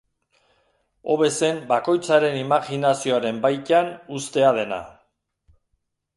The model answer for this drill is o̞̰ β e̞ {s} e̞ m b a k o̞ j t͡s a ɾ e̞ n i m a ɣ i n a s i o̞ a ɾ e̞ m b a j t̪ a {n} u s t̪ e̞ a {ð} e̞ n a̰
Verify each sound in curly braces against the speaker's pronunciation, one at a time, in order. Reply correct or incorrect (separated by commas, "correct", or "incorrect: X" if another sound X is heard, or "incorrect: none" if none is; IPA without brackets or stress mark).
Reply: correct, correct, correct